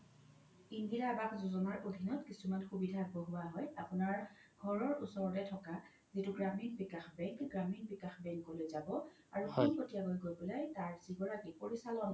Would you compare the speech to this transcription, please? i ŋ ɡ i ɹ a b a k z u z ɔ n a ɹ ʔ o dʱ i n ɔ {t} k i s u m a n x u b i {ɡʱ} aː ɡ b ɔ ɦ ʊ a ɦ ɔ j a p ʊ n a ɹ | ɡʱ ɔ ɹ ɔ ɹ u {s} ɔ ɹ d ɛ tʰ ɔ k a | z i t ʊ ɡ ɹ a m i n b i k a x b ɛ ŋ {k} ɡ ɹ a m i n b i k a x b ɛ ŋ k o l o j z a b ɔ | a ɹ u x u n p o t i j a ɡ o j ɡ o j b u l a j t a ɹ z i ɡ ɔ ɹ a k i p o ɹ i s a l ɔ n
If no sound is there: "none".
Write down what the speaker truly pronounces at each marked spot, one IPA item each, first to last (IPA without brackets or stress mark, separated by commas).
t, dʱ, s, k